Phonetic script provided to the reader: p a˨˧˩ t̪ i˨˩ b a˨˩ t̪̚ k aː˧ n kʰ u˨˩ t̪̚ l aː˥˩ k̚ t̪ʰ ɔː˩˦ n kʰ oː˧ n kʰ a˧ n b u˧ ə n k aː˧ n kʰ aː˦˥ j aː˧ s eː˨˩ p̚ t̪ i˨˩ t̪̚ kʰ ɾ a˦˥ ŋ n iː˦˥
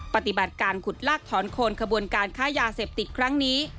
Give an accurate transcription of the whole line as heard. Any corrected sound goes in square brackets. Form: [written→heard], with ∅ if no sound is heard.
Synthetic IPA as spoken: p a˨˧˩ t̪ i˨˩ b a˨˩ t̪̚ k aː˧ n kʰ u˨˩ t̪̚ l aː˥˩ k̚ t̪ʰ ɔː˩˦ n kʰ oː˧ n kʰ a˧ [n→∅] b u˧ ə n k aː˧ n kʰ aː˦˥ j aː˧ s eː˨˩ p̚ t̪ i˨˩ t̪̚ kʰ ɾ a˦˥ ŋ n iː˦˥